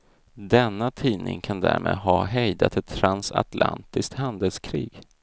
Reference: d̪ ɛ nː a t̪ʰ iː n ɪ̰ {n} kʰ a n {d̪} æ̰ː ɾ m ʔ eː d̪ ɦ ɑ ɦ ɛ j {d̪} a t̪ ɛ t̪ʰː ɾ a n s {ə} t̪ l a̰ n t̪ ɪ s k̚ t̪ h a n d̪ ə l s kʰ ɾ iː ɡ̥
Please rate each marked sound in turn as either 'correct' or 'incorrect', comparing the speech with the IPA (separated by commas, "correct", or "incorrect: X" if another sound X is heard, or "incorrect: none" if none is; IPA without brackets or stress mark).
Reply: incorrect: ŋ, correct, correct, incorrect: a